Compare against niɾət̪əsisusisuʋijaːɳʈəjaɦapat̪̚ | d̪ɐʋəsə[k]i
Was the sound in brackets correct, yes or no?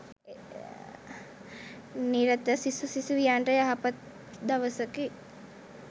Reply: yes